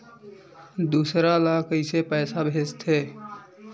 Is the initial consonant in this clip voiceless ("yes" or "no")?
no